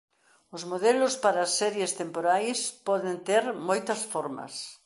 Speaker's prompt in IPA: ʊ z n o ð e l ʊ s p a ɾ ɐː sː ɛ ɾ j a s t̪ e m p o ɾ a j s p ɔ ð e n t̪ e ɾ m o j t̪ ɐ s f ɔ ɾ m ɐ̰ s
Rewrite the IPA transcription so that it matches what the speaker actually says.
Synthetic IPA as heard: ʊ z m o ð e l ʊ s p a ɾ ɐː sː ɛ ɾ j e s t̪ e m p o ɾ a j s p ɔ ð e n t̪ e ɾ m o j t̪ ɐ s f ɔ ɾ m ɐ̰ s